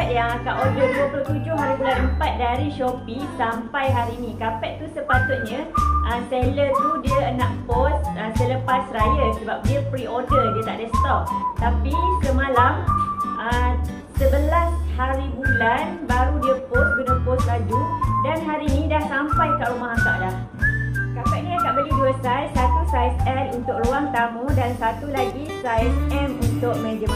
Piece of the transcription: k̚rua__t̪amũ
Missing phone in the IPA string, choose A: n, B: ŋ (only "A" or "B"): B